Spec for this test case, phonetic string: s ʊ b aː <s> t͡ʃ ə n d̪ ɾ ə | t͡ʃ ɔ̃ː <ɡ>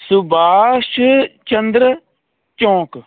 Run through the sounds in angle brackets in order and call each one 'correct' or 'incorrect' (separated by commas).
incorrect, incorrect